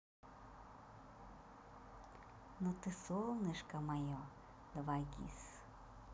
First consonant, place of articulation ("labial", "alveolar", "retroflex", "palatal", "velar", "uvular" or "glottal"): alveolar